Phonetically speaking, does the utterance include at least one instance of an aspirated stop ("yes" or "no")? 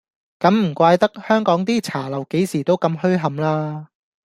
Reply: yes